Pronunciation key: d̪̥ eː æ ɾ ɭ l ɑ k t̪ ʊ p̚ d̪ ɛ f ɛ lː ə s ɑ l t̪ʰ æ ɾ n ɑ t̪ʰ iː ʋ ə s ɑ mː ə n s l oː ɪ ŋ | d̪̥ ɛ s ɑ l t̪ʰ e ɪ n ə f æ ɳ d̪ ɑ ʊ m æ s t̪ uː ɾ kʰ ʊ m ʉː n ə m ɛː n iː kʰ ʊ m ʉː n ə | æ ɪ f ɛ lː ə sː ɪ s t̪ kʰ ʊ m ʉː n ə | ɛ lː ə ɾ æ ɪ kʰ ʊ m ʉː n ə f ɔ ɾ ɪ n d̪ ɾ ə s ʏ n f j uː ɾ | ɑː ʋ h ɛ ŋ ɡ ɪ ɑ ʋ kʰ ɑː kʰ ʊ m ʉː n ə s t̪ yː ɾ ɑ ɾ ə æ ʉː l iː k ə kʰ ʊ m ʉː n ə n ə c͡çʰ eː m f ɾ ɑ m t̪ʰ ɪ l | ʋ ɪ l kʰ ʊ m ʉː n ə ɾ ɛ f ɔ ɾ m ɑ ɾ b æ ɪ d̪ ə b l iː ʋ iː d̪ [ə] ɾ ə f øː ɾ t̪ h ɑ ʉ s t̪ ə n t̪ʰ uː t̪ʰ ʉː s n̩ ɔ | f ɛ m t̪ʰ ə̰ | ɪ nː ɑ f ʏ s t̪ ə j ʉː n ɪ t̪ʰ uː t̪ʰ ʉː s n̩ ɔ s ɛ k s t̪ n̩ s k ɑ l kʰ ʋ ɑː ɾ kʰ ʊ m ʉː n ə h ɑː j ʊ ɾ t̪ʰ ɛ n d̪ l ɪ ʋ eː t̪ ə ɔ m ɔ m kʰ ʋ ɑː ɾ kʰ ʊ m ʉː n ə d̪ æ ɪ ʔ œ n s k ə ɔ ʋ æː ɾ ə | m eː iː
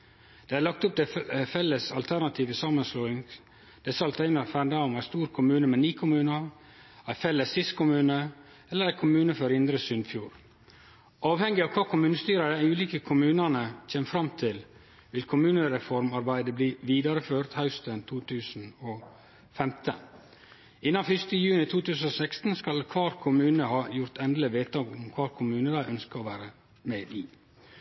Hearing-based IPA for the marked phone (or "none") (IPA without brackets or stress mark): ɑ